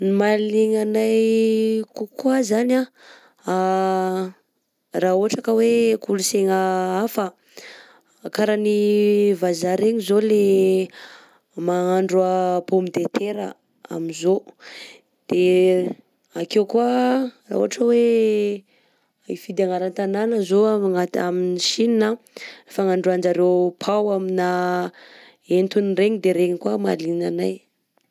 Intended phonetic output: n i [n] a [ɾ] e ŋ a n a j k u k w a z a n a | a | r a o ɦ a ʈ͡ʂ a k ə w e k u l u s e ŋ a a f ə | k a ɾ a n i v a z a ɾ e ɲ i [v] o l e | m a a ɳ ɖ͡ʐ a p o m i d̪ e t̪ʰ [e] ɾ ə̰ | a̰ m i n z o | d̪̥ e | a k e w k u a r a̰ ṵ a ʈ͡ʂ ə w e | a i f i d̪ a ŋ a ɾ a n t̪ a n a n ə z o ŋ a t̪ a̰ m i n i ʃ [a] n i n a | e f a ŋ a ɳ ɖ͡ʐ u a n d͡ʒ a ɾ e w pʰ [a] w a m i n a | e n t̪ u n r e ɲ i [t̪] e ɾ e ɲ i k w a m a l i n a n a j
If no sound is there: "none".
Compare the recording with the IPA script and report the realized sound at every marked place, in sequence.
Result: m, l, z, e, i, a, d̪

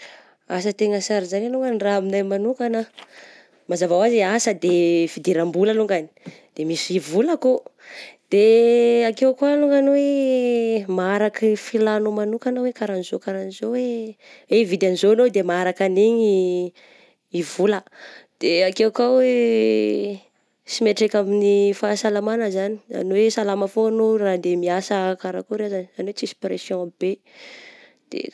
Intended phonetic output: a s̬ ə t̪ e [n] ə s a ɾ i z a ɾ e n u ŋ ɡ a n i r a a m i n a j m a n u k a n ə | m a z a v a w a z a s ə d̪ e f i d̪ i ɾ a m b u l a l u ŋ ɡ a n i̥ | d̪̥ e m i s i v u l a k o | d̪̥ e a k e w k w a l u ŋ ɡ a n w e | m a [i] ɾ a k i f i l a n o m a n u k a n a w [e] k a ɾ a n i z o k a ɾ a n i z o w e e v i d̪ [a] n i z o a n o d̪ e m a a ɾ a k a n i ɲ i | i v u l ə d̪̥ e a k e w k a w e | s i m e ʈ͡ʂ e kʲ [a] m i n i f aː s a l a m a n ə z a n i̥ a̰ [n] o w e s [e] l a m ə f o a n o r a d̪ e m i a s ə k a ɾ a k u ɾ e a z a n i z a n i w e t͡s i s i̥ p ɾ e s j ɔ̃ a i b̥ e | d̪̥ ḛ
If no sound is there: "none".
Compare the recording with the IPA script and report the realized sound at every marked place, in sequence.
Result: ŋ, a, e, a, a, n, a

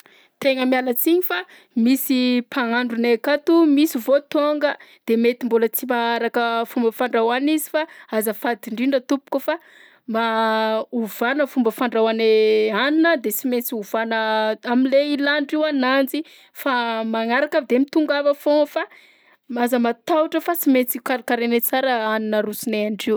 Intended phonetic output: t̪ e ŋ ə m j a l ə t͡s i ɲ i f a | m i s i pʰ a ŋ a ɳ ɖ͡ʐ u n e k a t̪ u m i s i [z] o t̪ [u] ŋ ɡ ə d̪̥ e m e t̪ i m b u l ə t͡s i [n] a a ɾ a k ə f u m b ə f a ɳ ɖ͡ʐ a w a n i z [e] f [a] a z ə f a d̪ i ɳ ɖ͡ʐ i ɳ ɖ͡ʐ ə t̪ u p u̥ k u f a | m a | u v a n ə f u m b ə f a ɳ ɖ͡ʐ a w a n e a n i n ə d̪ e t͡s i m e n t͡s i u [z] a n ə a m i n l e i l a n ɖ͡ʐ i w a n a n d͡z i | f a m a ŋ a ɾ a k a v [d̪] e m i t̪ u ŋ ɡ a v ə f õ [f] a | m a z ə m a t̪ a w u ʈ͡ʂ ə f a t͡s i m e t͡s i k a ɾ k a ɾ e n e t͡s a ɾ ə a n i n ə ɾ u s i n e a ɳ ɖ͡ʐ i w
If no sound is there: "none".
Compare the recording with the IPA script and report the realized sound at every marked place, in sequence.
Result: v, o, m, i, a, v, d̪, f

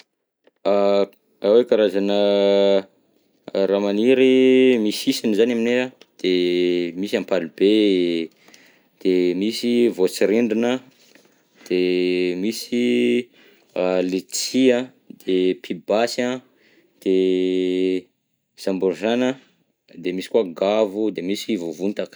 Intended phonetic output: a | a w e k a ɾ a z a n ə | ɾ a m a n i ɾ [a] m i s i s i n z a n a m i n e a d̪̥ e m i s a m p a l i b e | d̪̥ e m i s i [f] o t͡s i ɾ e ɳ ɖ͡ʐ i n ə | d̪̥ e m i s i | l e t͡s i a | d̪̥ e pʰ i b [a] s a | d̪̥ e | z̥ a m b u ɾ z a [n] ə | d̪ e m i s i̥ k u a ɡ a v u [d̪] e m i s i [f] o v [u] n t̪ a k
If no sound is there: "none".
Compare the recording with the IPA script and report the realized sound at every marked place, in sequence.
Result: i, v, a, n, d̪, v, u

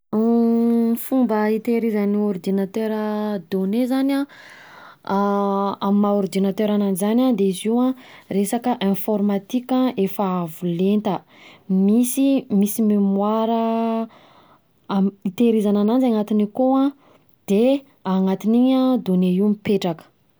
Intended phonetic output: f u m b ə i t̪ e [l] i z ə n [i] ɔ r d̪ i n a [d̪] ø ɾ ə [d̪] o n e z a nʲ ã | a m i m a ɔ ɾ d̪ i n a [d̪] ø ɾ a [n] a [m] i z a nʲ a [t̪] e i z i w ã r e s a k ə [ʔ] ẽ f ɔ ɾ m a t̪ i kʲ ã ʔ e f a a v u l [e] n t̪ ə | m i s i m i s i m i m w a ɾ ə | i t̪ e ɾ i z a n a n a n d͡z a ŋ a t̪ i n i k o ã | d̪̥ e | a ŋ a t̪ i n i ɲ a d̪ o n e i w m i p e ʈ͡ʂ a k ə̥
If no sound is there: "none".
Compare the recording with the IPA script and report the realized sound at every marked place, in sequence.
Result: ɾ, i, t̪, d̪, t̪, n, n, d̪, ʔ, e

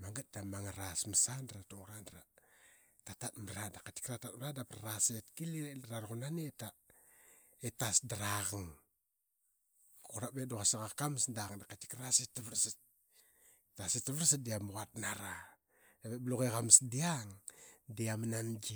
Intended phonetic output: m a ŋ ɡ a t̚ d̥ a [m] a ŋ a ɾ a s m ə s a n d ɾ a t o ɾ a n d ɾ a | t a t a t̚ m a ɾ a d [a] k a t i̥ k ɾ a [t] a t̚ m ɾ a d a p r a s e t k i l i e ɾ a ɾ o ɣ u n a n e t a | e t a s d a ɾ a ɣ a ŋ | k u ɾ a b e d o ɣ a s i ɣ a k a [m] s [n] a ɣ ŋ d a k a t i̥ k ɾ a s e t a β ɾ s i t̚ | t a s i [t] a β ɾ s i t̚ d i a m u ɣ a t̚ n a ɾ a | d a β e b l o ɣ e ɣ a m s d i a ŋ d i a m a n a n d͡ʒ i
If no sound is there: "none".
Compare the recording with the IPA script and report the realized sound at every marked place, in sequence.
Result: m, a, t, m, d, t

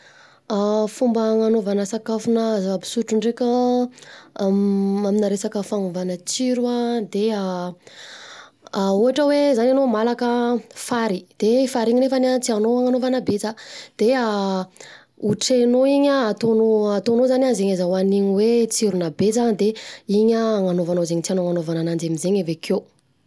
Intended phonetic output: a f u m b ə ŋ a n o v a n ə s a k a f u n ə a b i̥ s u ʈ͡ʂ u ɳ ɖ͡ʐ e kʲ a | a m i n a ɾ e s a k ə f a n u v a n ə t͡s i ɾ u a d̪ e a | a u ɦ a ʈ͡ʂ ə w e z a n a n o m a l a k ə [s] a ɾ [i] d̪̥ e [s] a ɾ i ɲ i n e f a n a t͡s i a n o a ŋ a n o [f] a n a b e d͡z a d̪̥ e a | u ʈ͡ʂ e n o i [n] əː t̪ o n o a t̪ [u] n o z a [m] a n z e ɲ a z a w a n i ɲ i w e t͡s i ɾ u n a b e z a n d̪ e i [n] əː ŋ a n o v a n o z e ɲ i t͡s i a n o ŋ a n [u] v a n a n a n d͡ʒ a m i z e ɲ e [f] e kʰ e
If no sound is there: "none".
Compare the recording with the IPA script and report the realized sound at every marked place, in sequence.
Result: f, i, f, v, ɲ, o, n, ɲ, o, v

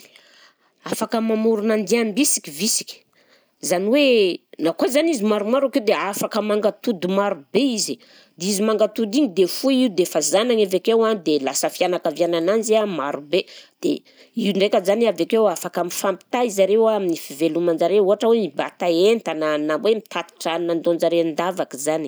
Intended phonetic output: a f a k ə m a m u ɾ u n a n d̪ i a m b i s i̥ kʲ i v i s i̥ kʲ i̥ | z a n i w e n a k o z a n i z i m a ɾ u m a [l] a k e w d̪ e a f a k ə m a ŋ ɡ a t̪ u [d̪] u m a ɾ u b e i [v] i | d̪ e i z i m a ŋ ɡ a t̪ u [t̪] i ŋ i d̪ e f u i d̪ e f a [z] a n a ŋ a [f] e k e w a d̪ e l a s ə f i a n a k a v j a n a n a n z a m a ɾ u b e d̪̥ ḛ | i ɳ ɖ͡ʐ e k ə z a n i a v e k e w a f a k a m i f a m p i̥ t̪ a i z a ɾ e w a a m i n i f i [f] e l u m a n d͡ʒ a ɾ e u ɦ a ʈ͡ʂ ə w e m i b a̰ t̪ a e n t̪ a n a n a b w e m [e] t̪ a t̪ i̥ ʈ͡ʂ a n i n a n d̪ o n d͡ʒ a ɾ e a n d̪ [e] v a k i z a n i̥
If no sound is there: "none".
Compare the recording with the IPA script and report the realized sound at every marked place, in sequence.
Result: ɾ, d̪, z, d̪, z, v, v, i, a

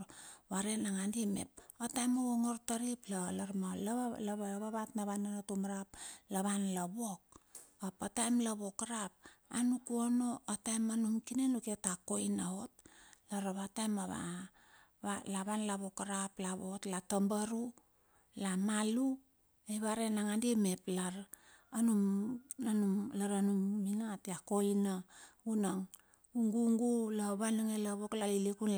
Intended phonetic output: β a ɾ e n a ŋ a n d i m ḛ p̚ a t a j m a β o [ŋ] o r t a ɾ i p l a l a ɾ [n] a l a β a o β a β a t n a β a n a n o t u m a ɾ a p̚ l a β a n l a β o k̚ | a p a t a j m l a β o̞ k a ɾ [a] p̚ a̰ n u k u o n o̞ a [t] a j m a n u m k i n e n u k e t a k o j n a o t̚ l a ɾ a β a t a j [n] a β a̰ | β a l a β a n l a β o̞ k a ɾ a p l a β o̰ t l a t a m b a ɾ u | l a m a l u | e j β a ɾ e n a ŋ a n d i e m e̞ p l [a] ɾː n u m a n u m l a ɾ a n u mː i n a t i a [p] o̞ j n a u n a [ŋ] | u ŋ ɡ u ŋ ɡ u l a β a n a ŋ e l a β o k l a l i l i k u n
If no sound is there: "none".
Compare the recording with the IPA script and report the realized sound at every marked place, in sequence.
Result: ŋ, m, a, t, m, a, k, ŋ

